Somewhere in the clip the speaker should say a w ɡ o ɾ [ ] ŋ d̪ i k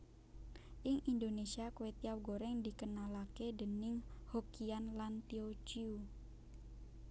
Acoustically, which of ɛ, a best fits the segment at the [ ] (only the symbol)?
ɛ